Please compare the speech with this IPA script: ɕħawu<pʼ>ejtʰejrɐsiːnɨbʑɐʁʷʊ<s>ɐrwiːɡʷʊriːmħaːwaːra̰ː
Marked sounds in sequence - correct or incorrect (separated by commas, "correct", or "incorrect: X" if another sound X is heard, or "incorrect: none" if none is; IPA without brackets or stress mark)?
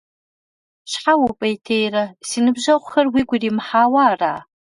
correct, incorrect: x